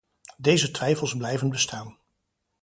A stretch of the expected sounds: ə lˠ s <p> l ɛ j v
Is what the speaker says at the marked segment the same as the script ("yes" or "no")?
no